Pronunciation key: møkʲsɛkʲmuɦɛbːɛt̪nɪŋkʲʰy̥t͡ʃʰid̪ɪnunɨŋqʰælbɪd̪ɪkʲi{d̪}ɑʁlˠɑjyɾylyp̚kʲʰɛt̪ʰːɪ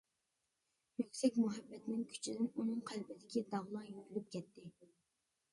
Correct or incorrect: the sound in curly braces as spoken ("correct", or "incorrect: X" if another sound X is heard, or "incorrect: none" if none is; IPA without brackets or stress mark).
correct